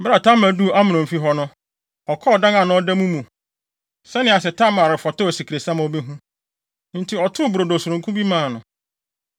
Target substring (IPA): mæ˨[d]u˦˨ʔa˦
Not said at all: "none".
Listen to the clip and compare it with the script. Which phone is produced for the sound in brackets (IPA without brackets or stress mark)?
d